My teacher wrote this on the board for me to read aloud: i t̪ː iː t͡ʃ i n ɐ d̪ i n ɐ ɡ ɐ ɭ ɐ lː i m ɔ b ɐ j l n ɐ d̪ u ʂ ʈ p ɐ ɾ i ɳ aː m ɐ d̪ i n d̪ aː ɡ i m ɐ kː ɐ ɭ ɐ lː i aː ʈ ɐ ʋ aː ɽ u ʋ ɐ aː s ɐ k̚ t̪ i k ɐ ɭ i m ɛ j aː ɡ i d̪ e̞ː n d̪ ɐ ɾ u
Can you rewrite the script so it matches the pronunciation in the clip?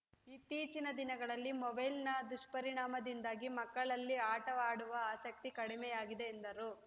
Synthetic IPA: i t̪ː iː t͡ʃ i n ɐ d̪ i n ɐ ɡ ɐ ɭ ɐ lː i m ɔ b ɐ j l n ɐ d̪ u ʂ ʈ p ɐ ɾ i ɳ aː m ɐ d̪ i n d̪ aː ɡ i m ɐ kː ɐ ɭ ɐ lː i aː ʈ ɐ ʋ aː ɽ u ʋ ɐ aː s ɐ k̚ t̪ i k ɐ ɽ i m ɛ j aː ɡ i d̪ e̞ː n d̪ ɐ ɾ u